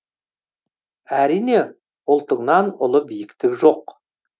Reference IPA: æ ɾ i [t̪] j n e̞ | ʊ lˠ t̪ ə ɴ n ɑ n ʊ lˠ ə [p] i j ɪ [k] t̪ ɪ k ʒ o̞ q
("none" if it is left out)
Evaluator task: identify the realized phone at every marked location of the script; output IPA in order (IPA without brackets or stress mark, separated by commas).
none, b, k